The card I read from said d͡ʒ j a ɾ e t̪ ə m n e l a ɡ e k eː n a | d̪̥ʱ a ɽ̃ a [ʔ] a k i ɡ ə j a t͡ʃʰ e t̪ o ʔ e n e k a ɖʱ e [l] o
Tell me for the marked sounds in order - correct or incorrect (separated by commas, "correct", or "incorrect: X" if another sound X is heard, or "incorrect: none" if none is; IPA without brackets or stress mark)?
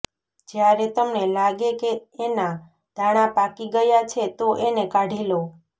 incorrect: p, correct